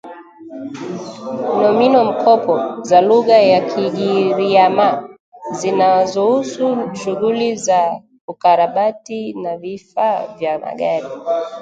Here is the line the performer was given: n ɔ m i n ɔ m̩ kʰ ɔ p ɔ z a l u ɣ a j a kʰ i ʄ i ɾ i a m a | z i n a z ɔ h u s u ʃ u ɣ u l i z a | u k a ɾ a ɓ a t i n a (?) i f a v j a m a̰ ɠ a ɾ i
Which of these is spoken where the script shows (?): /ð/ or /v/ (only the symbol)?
v